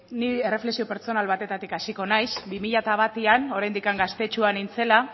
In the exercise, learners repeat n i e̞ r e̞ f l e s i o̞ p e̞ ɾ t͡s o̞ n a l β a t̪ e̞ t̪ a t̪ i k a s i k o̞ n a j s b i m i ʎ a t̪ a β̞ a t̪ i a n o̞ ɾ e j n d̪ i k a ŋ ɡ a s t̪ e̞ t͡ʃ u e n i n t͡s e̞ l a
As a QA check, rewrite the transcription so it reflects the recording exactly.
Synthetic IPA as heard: n i e̞ r e̞ f l e s i o̞ p e̞ ɾ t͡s o̞ n a l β a t̪ e̞ t̪ a t̪ i k a s i k o̞ n a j s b i m i ʎ a t̪ a β̞ a t̪ i a n o̞ ɾ a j n d̪ i k a ŋ ɡ a s t̪ e̞ t͡ʃ u a n i n t͡s e̞ l a